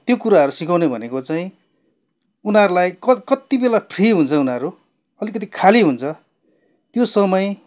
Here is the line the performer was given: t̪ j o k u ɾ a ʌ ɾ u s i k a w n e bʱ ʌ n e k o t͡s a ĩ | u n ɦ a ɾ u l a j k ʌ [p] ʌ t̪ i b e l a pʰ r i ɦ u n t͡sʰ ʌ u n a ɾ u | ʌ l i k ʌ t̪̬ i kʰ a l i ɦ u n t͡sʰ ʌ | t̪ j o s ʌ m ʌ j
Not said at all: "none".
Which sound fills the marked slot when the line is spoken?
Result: k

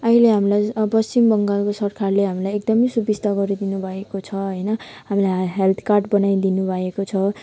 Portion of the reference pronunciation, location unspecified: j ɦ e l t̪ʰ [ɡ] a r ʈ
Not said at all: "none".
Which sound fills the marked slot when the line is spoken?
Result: k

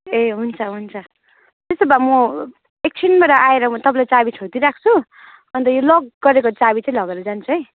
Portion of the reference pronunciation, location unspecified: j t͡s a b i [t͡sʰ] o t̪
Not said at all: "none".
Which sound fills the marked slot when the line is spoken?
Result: t͡sʰ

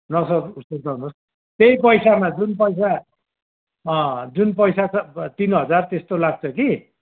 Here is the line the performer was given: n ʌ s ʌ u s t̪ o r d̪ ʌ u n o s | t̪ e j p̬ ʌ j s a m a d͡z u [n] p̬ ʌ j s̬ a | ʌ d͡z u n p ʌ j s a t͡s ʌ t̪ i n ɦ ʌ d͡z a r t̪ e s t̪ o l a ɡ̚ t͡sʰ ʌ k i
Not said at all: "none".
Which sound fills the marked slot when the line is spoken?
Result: n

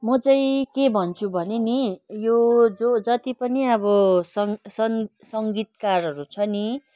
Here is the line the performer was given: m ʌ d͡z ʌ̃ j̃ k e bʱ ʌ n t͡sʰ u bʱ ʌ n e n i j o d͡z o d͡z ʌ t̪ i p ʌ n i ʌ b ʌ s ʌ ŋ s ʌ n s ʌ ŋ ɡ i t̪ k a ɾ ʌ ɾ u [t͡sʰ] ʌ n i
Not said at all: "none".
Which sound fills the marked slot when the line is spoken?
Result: t͡sʰ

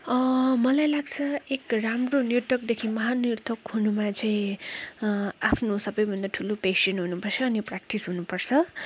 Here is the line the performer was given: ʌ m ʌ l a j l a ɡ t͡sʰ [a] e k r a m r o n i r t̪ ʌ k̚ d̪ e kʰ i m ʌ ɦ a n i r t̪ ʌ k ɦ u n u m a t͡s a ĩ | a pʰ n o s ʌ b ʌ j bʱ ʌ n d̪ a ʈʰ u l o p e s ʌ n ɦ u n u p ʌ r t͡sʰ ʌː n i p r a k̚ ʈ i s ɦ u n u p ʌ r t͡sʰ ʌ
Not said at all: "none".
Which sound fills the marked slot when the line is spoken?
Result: ʌ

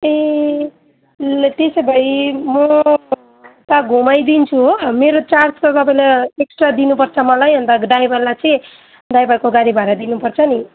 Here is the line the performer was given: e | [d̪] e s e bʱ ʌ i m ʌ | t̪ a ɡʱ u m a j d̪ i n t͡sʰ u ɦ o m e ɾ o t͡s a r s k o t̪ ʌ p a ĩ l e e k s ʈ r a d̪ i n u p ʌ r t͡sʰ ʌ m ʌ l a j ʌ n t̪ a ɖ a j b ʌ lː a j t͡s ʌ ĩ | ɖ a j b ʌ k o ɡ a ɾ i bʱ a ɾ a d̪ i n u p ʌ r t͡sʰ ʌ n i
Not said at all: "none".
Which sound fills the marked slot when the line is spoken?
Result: t̪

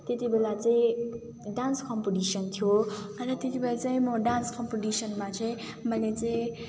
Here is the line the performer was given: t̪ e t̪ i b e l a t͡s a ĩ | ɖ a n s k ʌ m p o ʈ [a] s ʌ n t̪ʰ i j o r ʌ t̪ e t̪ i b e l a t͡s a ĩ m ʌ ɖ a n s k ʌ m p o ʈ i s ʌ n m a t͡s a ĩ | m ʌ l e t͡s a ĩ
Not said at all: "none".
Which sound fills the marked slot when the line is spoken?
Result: i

